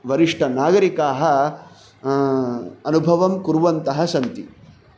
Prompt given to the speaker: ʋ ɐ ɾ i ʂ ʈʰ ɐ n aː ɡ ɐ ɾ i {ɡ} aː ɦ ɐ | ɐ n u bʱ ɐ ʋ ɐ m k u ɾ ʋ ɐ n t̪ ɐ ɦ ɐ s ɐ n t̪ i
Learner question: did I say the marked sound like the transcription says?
no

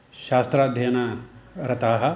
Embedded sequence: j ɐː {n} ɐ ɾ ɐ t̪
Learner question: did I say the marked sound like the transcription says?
yes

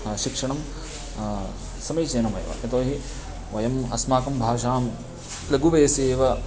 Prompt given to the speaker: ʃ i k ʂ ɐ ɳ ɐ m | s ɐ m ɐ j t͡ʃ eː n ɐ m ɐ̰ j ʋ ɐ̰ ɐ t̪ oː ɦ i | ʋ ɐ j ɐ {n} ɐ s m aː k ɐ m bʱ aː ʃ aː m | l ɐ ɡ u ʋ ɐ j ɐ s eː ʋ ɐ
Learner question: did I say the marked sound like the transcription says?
no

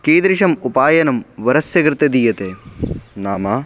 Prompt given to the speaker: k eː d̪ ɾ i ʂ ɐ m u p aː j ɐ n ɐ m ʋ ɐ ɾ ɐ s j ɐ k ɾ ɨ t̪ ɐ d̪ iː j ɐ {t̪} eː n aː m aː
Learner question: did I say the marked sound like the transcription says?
yes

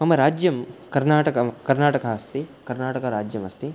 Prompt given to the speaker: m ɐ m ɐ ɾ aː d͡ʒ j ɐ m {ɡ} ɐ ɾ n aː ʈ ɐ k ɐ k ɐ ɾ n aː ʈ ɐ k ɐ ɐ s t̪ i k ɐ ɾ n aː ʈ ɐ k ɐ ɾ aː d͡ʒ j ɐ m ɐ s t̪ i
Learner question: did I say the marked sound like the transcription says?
no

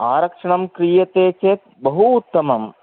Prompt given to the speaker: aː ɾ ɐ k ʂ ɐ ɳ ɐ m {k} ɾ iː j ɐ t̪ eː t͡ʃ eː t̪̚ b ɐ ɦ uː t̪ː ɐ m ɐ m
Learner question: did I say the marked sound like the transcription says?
yes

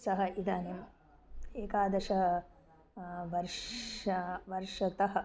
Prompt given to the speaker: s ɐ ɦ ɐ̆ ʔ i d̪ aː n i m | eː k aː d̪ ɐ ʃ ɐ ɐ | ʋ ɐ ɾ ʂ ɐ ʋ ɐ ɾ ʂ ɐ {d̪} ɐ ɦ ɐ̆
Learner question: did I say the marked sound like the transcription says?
no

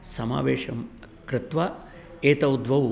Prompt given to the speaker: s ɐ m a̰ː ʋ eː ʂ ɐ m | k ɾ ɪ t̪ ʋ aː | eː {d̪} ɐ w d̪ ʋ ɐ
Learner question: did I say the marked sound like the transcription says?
no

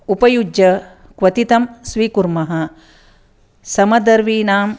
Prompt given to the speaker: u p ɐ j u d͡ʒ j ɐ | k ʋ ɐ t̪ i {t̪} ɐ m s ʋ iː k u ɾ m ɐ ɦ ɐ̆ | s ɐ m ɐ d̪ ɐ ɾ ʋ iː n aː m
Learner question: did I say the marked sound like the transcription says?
yes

